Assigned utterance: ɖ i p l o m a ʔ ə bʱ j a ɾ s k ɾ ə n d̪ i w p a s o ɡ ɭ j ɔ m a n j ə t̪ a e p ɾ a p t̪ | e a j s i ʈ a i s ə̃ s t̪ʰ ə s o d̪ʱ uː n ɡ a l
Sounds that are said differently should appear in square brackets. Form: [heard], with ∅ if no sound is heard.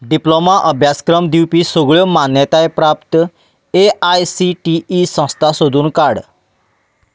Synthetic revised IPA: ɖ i p l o m a ʔ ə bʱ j a [∅] s k ɾ ə [m] d̪ i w p [i] s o ɡ ɭ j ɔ m a n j ə t̪ a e p ɾ a p t̪ | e a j s i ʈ [i] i s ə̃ s t̪ʰ [a] s o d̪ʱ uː n [k] a [ɽ]